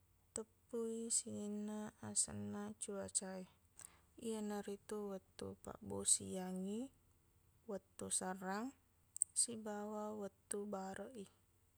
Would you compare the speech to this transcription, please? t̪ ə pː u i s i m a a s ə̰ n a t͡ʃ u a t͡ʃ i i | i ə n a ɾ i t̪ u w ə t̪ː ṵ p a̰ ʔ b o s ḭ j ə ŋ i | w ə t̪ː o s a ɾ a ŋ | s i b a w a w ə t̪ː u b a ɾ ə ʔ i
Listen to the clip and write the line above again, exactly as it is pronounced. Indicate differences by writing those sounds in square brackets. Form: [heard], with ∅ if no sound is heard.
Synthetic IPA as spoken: t̪ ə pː u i s i [n] a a s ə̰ n a t͡ʃ u a t͡ʃ [a] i | i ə n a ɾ i t̪ u w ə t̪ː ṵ p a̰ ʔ b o s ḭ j [a] ŋ i | w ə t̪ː [u] s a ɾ a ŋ | s i b a w a w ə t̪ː u b a ɾ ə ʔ i